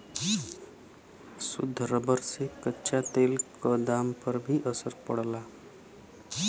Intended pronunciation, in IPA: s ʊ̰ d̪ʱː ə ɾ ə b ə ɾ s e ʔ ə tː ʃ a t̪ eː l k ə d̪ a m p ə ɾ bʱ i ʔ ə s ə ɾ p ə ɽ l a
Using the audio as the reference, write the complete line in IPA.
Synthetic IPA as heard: s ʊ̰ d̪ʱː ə ɾ ə b ə ɾ s e k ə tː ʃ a t̪ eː l k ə d̪ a m p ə ɾ bʱ i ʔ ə s ə ɾ p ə ɽ l a